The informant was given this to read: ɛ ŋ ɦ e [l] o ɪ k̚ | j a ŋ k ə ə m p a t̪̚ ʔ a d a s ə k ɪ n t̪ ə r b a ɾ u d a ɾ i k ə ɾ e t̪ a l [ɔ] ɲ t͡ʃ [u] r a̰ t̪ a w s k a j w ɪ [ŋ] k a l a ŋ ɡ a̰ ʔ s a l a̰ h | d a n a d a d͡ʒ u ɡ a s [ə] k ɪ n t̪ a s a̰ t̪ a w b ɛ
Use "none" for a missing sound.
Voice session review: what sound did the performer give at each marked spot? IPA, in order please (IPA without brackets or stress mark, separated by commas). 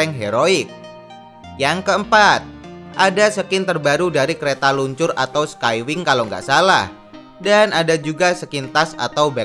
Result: ɾ, u, ʊ, ŋ, ə